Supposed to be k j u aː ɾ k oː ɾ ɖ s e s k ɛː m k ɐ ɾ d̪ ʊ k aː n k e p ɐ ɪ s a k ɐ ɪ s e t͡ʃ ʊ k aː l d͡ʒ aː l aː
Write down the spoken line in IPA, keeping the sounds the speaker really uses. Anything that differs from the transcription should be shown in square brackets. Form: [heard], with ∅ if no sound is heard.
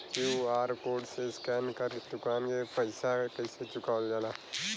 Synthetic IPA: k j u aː ɾ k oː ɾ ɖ s e s k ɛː [n] k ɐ ɾ d̪ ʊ k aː n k e p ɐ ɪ s a k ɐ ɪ s e t͡ʃ ʊ k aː l d͡ʒ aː l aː